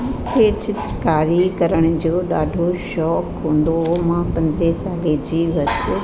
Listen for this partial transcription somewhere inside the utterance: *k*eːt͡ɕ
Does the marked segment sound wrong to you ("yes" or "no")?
yes